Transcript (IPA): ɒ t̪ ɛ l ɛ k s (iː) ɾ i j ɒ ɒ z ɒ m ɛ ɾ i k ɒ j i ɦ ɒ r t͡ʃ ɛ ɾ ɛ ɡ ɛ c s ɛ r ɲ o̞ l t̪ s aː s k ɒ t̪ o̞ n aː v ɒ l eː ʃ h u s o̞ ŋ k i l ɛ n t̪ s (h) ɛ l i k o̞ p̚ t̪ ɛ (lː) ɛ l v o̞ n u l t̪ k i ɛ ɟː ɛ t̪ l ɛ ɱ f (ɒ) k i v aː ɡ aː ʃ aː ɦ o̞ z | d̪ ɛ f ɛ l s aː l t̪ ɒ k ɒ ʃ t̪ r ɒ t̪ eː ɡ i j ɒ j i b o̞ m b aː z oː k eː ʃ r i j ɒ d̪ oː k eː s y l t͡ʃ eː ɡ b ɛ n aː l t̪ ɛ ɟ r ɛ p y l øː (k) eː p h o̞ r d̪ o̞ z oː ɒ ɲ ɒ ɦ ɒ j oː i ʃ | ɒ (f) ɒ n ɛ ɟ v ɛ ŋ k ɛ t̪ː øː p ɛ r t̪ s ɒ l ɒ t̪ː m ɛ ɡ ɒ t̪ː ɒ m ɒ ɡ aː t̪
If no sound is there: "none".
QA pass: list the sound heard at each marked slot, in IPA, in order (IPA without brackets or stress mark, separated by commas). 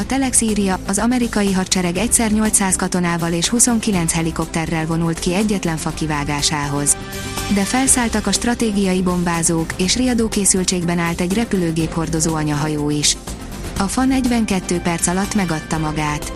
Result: iː, h, rː, ɒ, ɡ, f